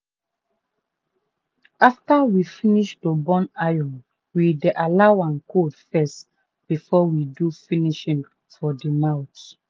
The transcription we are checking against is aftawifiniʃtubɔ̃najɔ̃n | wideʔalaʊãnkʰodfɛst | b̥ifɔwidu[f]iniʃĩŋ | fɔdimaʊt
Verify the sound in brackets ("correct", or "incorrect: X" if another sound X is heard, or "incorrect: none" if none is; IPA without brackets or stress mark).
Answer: correct